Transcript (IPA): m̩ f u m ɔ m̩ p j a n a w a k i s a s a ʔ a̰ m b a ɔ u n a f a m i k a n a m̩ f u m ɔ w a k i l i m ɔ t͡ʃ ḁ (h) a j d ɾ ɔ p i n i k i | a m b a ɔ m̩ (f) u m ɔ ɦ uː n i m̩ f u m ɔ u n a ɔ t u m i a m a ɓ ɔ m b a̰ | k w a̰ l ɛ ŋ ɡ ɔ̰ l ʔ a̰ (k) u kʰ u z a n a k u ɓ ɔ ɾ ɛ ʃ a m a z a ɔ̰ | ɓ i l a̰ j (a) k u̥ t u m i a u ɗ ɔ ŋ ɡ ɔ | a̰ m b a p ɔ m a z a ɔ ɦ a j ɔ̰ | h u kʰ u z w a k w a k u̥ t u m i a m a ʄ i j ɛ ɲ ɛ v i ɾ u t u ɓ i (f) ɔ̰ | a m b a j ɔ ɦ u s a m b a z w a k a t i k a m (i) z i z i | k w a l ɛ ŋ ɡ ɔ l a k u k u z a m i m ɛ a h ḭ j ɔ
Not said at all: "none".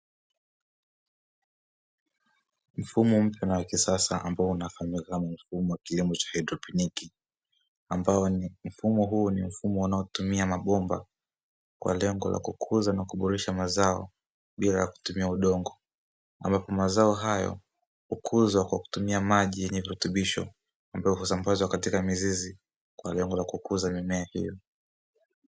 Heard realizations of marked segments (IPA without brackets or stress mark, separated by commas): h, f, k, a, ʃ, i